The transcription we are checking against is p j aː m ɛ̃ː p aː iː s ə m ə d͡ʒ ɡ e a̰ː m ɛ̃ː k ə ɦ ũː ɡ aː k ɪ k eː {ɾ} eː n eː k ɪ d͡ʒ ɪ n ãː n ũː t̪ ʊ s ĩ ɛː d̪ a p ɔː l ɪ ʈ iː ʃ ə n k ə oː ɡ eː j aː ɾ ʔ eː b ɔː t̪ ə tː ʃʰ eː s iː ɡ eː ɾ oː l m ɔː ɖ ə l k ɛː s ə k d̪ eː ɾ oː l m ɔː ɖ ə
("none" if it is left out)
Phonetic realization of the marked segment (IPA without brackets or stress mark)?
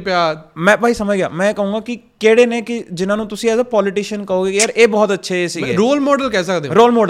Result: ɽ